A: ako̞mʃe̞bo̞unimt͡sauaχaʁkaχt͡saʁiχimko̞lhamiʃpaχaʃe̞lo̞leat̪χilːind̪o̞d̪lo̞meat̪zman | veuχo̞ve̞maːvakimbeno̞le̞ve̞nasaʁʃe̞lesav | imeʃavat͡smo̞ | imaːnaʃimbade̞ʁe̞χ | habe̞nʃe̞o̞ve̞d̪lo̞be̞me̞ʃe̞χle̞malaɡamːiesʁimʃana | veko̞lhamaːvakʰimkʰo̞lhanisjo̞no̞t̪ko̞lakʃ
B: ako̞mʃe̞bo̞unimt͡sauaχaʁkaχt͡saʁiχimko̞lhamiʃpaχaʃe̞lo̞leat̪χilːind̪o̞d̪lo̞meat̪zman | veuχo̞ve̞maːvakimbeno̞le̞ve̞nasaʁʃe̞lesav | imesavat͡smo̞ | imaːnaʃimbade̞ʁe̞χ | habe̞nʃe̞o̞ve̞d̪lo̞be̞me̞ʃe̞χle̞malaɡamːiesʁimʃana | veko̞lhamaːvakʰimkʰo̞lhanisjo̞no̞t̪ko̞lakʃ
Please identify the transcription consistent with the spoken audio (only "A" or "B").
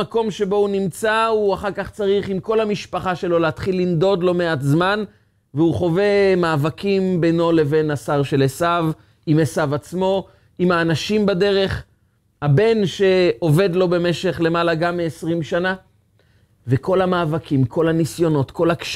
B